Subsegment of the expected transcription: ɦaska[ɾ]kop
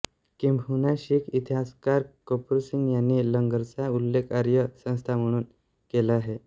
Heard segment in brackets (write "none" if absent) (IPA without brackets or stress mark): ɾ